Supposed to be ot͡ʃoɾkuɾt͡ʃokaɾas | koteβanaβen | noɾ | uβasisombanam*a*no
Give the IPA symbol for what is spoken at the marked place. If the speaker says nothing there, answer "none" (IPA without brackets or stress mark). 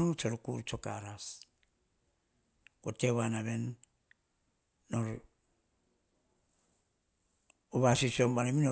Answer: i